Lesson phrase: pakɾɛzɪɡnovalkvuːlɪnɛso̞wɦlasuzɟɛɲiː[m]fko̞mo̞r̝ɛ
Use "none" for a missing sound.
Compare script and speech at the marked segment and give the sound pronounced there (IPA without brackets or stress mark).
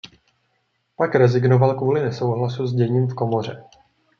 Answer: m